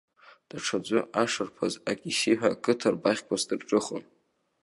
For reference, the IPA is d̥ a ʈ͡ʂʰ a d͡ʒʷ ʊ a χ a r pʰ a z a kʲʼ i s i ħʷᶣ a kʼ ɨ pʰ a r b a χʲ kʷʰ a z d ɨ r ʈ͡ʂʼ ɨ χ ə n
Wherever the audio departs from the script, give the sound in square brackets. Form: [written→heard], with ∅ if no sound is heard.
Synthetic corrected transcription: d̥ a ʈ͡ʂʰ a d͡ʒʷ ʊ a [χ→ʂ] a r pʰ a z a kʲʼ i s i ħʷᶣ a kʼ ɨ [pʰ→tʰ] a r b a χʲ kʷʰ a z d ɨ r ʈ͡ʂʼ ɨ χ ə n

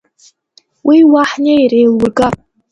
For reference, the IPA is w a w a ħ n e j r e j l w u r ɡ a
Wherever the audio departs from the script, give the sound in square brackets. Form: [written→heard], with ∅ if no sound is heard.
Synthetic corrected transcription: w [a→i] w a ħ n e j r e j l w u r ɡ a

